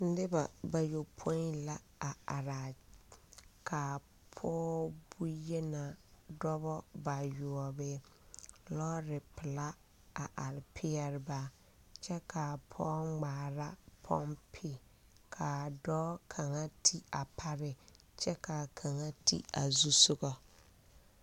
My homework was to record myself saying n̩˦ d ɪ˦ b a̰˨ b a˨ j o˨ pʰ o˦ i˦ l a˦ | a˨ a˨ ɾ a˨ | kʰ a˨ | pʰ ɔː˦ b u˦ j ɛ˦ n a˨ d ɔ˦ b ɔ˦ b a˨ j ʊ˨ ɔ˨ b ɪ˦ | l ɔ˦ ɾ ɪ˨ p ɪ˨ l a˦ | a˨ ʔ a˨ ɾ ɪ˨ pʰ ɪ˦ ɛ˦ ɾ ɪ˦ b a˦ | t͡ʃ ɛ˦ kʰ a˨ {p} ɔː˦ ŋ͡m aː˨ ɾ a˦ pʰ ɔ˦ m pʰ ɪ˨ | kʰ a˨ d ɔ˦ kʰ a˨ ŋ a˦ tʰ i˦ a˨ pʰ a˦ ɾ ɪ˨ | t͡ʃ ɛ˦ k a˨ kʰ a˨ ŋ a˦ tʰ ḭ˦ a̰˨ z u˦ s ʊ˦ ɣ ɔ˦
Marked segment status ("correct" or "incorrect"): incorrect